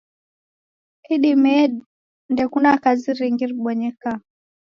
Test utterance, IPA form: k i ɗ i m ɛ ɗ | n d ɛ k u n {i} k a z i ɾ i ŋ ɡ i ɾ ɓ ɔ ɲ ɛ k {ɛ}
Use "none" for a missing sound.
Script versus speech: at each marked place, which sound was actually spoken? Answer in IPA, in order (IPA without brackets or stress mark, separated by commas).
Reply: a, a